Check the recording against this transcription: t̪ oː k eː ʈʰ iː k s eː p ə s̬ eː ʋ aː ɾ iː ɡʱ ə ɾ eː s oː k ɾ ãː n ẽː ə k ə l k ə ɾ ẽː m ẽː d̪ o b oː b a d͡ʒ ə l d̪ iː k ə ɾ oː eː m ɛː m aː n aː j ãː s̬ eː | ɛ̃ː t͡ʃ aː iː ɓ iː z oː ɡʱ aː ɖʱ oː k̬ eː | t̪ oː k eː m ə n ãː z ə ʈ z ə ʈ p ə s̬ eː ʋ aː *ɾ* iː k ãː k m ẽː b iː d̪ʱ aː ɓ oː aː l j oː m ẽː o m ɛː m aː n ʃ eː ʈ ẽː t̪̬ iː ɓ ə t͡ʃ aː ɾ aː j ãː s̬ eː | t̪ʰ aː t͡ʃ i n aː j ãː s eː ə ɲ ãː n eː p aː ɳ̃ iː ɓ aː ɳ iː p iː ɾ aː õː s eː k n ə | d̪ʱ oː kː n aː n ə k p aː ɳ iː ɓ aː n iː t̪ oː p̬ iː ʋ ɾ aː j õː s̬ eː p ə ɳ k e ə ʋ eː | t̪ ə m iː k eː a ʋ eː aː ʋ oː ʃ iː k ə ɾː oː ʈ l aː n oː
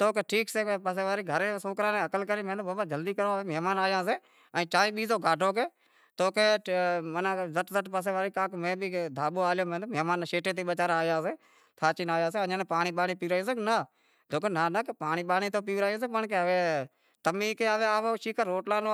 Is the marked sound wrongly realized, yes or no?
no